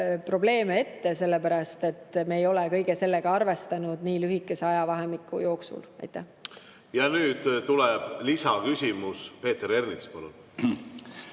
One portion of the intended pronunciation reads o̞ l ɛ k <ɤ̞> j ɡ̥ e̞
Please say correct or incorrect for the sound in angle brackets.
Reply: correct